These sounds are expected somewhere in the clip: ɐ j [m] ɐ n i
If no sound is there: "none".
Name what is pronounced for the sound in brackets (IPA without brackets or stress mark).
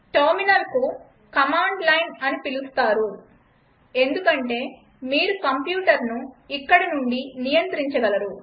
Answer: n